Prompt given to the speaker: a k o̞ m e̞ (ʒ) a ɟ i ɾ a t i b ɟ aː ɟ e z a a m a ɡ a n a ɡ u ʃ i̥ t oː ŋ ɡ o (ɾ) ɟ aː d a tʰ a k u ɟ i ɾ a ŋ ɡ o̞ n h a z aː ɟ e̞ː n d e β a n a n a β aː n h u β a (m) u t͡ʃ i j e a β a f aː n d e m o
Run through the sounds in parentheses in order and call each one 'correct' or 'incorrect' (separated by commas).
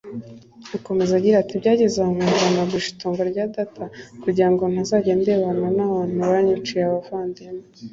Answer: incorrect, correct, incorrect